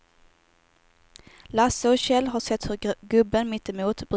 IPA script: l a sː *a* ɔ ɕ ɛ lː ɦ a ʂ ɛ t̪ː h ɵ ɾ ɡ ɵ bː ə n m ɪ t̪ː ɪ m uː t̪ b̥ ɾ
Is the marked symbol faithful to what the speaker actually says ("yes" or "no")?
no